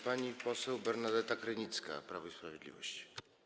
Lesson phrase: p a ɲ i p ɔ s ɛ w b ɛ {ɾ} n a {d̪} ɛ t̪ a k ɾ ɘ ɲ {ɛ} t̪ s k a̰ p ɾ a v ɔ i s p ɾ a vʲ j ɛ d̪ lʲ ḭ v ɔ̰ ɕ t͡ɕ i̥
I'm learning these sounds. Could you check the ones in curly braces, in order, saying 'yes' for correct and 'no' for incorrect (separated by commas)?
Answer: yes, yes, no